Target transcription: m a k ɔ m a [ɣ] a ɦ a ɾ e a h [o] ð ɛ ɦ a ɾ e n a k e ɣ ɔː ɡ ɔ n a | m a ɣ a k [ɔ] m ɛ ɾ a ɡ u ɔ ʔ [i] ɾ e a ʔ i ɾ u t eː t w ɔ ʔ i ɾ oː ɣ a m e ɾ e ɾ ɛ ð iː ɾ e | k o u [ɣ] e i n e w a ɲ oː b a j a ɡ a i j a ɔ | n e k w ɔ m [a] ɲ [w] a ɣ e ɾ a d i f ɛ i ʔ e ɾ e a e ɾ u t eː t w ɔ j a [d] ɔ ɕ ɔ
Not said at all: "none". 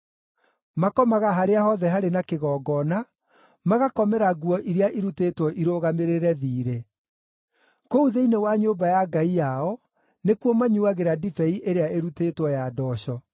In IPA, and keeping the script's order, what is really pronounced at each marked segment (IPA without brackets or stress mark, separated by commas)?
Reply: ɣ, ɔ, ɔ, i, ð, a, u, d